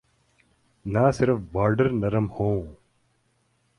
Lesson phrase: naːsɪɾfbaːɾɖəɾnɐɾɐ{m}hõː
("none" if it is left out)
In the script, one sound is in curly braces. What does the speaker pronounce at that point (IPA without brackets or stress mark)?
m